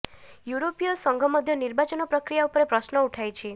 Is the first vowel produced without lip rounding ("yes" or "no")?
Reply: no